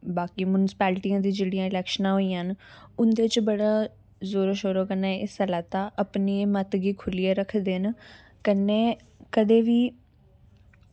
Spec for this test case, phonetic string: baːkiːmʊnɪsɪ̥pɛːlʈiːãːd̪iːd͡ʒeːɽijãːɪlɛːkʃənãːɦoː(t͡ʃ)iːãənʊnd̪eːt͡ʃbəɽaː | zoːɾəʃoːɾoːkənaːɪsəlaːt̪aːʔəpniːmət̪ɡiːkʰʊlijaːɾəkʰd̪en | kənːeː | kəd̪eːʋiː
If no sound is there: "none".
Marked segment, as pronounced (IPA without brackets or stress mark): none